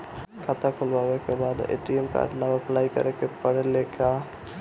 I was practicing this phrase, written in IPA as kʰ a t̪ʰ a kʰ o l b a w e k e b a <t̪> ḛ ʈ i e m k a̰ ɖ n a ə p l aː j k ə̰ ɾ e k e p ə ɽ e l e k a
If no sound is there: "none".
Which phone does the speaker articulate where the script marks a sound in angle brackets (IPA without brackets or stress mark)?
d̪